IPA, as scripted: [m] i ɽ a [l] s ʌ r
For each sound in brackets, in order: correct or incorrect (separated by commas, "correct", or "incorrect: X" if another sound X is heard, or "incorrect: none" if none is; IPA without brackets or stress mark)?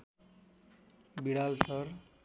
incorrect: b, correct